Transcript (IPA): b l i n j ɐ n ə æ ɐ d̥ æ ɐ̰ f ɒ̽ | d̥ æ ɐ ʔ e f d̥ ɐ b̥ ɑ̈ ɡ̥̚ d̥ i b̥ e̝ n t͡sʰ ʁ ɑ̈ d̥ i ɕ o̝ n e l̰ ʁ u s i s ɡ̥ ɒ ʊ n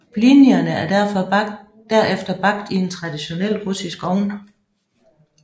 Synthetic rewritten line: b l i n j ɐ n ə æ ɐ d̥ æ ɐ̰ f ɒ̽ | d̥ æ ɐ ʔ e f d̥ ɐ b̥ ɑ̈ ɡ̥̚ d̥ i e̝ n t͡sʰ ʁ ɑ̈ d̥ i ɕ o̝ n e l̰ ʁ u s i s ɡ̥ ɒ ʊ n